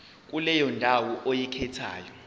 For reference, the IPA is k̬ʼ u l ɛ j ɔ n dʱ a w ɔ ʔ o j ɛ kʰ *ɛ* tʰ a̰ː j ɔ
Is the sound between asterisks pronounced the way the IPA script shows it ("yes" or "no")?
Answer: yes